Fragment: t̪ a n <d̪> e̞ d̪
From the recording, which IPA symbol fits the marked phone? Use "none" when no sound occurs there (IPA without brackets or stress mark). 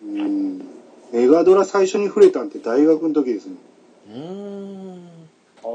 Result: t̪